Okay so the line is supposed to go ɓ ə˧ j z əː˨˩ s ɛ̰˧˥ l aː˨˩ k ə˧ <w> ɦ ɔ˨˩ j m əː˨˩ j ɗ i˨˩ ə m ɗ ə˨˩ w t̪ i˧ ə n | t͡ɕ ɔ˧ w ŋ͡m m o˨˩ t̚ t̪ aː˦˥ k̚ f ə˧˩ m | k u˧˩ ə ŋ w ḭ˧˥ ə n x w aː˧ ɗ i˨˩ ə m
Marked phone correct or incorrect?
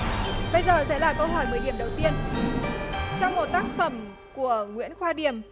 correct